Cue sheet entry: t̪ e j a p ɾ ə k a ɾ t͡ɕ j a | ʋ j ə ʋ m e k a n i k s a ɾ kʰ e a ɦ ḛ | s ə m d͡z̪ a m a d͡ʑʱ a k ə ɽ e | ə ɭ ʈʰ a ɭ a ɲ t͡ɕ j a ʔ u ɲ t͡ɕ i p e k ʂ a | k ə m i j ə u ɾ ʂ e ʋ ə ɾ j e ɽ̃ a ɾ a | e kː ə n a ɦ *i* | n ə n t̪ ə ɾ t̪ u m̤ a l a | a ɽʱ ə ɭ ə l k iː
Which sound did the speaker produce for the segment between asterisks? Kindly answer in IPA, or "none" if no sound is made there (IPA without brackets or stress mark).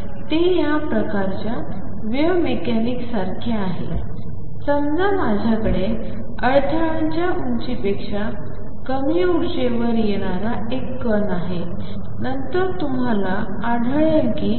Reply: e